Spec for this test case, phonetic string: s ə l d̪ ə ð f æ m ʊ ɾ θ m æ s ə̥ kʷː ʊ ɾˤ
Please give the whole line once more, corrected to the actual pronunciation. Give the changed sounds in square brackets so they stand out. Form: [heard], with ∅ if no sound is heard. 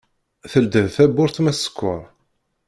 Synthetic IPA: [θ] ə l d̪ ə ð [θ] æ [b] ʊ ɾ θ m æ s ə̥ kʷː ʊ ɾˤ